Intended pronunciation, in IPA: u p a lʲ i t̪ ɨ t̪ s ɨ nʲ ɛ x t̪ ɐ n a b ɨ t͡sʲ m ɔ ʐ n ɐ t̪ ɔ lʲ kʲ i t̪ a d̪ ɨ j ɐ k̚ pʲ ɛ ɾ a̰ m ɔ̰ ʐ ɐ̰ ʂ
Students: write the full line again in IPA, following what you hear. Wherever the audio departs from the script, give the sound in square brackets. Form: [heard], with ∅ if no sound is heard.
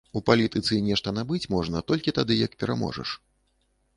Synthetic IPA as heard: u p a lʲ i t̪ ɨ t̪ s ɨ nʲ ɛ [ʂ] t̪ ɐ n a b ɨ t͡sʲ m ɔ ʐ n ɐ t̪ ɔ lʲ kʲ i t̪ a d̪ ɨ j ɐ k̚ pʲ ɛ ɾ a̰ m ɔ̰ ʐ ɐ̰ ʂ